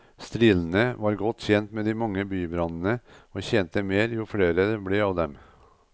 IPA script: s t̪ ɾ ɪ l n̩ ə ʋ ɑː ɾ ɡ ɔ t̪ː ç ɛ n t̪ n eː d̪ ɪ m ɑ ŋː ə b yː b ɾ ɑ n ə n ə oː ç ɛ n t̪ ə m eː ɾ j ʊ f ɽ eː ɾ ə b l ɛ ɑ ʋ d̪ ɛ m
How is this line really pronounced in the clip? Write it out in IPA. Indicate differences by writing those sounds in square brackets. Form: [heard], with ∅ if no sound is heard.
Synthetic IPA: s t̪ ɾ ɪ l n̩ ə ʋ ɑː ɾ ɡ ɔ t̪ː ç ɛ n t̪ [m] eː d̪ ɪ m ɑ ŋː ə b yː b ɾ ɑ n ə n ə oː ç ɛ n t̪ ə m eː ɾ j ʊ f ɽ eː ɾ ə b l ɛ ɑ ʋ d̪ ɛ m

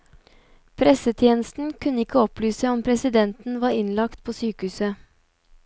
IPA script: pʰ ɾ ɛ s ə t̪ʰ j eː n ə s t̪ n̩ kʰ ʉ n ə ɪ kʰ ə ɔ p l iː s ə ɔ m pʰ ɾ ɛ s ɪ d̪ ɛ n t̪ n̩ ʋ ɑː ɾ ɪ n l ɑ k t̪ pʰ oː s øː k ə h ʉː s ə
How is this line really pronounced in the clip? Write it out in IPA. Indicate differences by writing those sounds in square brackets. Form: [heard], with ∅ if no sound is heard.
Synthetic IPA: pʰ ɾ ɛ s ə t̪ʰ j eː n ə s t̪ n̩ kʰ ʉ n ə ɪ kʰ ə ɔ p l [yː] s ə ɔ m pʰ ɾ ɛ s ɪ d̪ ɛ n t̪ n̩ ʋ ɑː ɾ ɪ n l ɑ k t̪ pʰ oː s [yː] k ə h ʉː s ə

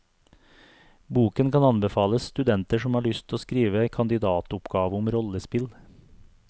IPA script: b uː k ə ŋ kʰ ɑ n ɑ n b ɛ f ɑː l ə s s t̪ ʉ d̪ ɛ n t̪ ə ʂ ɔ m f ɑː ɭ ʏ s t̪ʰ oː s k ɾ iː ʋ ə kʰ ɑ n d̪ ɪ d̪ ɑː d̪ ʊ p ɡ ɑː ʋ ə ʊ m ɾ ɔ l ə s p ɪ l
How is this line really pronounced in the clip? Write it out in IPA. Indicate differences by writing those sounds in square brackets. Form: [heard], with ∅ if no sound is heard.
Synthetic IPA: b uː k ə [n] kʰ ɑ n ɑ n b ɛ f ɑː l ə s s t̪ ʉ d̪ ɛ n t̪ ə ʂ ɔ m [h] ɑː ɭ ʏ s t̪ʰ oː s k ɾ iː ʋ ə kʰ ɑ n d̪ ɪ d̪ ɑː [t̪] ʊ p ɡ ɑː ʋ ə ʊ m ɾ ɔ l ə s p ɪ l

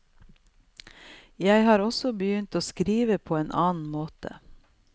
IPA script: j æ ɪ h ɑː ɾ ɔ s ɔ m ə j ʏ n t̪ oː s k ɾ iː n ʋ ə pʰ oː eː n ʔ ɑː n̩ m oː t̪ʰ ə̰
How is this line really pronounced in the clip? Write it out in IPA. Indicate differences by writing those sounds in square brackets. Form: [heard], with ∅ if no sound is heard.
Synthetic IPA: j æ ɪ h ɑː ɾ ɔ s ɔ [b] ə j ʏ n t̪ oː s k ɾ iː [∅] ʋ ə pʰ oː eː n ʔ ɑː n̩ m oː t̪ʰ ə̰

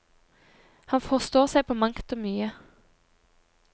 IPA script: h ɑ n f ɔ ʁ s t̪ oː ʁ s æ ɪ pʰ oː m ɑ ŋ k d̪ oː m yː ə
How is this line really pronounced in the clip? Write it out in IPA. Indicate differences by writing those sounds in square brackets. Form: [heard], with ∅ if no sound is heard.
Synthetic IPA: h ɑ n f ɔ ʁ s t̪ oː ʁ s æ ɪ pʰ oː m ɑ ŋ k [t̪] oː m yː ə

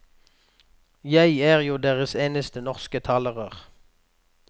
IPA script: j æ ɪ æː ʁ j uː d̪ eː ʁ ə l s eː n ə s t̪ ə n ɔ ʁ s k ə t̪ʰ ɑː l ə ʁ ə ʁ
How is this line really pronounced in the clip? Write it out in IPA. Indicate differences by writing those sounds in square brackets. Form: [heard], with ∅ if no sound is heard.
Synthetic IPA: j æ ɪ æː ʁ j uː d̪ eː ʁ ə [∅] s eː n ə s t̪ ə n ɔ ʁ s k ə t̪ʰ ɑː l ə ʁ ə ʁ

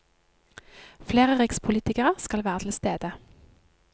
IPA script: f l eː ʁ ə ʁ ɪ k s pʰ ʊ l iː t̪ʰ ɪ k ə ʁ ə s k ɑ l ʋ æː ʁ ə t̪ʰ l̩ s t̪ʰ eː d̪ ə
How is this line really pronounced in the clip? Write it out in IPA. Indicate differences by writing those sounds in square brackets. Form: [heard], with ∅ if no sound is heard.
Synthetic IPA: f l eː ʁ ə ʁ ɪ k s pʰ ʊ l iː [t̪] ɪ k ə ʁ ə s k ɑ l ʋ æː ʁ ə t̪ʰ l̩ s [t̪] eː d̪ ə

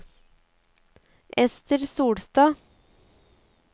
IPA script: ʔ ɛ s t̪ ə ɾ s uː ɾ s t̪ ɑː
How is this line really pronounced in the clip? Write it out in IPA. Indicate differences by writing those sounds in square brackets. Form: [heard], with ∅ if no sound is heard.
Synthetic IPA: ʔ ɛ s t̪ ə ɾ s uː [ɽ] s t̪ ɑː

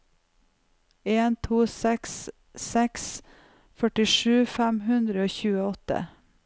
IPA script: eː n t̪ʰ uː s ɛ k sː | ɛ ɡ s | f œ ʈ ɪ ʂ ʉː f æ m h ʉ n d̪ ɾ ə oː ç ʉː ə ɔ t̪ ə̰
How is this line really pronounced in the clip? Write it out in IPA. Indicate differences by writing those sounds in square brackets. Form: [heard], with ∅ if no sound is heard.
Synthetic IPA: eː n t̪ʰ uː s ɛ k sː | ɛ [k] s | f œ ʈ ɪ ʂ ʉː f æ m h ʉ n d̪ ɾ ə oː ç ʉː ə ɔ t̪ ə̰

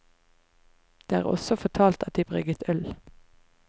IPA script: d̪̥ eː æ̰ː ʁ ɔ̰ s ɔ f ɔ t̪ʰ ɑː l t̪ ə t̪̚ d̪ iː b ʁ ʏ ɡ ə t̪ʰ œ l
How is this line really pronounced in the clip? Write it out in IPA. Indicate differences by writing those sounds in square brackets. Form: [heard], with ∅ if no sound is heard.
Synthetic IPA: d̪̥ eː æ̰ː ʁ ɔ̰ s ɔ f ɔ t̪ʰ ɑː l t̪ [ɑ] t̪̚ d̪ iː b ʁ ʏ ɡ ə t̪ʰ œ l

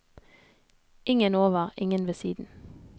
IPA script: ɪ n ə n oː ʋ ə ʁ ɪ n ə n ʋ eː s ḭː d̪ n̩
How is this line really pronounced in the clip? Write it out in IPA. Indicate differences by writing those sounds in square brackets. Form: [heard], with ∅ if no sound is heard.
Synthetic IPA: ɪ [ŋ] ə n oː ʋ ə ʁ ɪ [ŋ] ə n ʋ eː s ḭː d̪ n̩

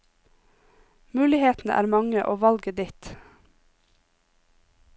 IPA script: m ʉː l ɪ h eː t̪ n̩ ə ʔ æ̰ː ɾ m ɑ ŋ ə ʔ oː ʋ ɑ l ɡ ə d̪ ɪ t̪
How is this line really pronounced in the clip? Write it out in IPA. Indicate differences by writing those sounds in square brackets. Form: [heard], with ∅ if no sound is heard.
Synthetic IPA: m ʉː l ɪ h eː t̪ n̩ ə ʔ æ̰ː ɾ m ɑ ŋ ə ʔ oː ʋ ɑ l ɡ ə d̪ ɪ t̪

